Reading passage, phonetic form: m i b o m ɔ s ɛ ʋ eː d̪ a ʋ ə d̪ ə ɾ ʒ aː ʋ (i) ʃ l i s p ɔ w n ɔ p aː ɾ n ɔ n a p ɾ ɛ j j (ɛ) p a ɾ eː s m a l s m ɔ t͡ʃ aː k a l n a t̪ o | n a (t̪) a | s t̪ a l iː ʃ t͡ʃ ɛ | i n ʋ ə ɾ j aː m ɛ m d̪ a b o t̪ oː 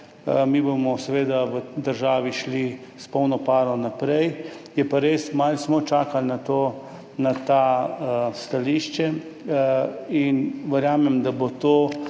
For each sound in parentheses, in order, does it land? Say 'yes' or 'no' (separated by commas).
yes, yes, yes